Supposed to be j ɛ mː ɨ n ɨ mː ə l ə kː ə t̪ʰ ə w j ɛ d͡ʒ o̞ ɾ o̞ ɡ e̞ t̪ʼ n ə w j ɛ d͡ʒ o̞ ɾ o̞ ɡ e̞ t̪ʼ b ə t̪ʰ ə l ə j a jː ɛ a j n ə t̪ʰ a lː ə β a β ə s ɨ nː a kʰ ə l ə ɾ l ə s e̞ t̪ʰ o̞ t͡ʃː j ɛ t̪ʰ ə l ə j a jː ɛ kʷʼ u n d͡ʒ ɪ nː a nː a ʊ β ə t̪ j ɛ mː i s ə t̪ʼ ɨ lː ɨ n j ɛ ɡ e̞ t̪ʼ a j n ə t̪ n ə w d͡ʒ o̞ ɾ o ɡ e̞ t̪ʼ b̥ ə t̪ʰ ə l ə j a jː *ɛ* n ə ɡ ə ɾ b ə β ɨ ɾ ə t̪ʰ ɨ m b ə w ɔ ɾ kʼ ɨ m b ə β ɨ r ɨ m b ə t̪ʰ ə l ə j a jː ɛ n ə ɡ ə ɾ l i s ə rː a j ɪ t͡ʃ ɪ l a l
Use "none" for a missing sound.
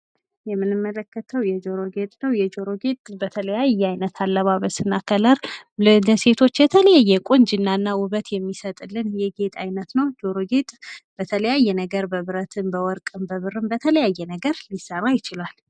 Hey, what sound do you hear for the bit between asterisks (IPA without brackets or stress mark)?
ɛ